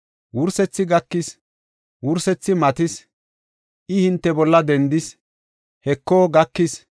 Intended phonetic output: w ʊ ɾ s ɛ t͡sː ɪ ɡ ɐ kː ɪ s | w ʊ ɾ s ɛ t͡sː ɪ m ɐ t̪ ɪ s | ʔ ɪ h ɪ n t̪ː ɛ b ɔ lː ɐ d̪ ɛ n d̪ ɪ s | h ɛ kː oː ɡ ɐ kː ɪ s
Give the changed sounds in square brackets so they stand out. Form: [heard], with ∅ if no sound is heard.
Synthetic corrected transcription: w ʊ ɾ s ɛ t͡sː ɪ ɡ ɐ kː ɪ s | w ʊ ɾ s ɛ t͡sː ɪ m ɐ t̪ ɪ s | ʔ ɪ h ɪ n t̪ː ɛ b ɔ lː ɐ d̪ ɛ n d̪ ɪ s | h ɛ kː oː ɡ ɐ kː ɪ s